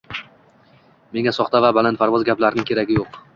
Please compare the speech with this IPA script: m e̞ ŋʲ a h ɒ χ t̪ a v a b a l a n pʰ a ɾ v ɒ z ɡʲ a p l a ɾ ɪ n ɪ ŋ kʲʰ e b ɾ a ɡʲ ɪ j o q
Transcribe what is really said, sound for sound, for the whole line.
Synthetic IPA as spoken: m e̞ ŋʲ a s ɒ χ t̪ a v a b a l a n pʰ a ɾ v ɒ z ɡʲ a p l a ɾ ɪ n ɪ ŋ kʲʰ e ɾ a ɡʲ ɪ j o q